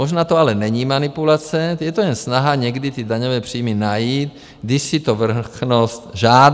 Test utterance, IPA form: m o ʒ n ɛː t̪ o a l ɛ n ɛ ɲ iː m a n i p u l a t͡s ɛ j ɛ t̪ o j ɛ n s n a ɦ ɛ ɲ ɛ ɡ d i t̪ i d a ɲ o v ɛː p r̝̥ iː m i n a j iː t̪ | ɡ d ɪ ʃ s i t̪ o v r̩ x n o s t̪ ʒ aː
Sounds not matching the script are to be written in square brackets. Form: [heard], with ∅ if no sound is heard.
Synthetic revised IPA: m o ʒ n [aː] t̪ o a l ɛ n ɛ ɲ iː m a n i p u l a t͡s ɛ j ɛ t̪ o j ɛ n s n a ɦ [a] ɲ ɛ ɡ d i t̪ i d a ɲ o v ɛː p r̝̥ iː m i n a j iː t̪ | ɡ d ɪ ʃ s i t̪ o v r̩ x n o s t̪ ʒ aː

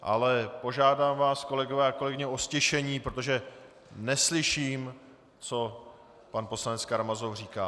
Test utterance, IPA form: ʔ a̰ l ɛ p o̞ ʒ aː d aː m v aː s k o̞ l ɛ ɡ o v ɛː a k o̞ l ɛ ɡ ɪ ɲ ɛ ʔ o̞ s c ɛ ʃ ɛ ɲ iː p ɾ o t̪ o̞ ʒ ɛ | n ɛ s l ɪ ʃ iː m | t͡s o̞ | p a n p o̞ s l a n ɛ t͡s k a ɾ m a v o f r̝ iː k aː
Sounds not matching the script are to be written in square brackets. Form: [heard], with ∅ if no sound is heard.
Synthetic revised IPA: ʔ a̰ l ɛ p o̞ ʒ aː d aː m v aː s k o̞ l ɛ ɡ o v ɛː a k o̞ l ɛ ɡ ɪ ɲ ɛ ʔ o̞ s c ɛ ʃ ɛ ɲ iː p ɾ o t̪ o̞ ʒ ɛ | n ɛ s l ɪ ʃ iː m | t͡s o̞ | p a n p o̞ s l a n ɛ t͡s k a ɾ m a [z] o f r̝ iː k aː

